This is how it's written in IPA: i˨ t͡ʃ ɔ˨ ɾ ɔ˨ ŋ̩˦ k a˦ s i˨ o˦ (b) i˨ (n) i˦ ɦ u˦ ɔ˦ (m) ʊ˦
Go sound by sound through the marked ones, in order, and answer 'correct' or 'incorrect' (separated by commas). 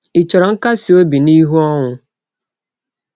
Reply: correct, correct, incorrect